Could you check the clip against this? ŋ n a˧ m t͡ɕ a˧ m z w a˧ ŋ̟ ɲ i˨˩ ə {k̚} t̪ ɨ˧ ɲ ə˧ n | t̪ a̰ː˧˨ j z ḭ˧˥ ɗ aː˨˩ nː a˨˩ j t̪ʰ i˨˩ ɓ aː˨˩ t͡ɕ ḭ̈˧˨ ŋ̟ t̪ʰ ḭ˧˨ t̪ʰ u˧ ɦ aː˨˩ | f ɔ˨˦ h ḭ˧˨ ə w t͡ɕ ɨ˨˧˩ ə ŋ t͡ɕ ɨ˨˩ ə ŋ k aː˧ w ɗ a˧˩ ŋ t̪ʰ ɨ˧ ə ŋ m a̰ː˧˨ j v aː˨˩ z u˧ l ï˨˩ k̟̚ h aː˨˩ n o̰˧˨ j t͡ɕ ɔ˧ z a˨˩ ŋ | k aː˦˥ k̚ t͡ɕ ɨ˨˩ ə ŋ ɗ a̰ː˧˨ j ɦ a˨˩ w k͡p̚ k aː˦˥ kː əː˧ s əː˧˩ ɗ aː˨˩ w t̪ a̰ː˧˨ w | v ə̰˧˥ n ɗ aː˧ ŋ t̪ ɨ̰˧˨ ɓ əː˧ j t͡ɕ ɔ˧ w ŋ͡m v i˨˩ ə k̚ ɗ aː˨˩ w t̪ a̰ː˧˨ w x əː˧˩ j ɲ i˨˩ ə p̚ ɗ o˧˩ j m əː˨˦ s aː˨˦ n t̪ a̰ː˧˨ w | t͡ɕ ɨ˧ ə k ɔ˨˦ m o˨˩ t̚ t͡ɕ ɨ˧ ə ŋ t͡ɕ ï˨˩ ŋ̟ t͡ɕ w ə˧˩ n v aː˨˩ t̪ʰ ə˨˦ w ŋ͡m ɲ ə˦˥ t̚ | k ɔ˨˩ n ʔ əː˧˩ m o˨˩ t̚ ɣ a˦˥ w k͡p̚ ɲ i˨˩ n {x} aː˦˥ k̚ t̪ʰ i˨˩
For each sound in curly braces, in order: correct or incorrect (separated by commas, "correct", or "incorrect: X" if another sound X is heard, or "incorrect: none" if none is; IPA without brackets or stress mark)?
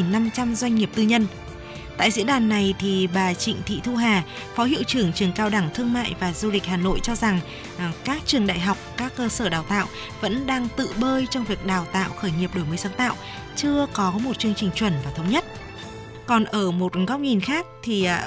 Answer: incorrect: p̚, correct